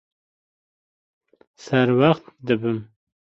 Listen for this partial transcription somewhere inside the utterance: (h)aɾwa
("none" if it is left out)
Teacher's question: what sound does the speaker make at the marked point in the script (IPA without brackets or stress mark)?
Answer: s